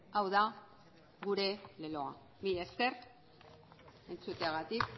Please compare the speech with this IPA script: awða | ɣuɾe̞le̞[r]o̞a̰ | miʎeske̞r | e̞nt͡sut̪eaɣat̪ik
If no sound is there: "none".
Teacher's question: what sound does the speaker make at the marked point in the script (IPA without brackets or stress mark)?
l